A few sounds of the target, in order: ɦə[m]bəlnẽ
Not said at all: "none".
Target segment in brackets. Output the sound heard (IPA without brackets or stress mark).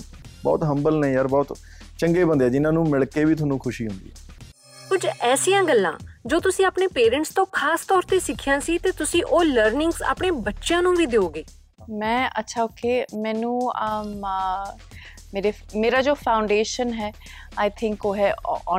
m